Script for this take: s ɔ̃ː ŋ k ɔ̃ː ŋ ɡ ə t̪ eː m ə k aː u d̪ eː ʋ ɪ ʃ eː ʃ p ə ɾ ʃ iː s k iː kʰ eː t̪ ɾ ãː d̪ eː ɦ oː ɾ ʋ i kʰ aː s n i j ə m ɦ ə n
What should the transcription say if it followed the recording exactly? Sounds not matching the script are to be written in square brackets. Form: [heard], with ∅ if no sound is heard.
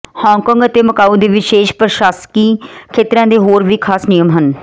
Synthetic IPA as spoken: [h] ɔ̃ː ŋ k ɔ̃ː ŋ ɡ ə t̪ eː m ə k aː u d̪ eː ʋ ɪ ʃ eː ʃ p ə ɾ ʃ [aː] s k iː kʰ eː t̪ ɾ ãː d̪ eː ɦ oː ɾ ʋ [iː] kʰ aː s n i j ə m ɦ ə n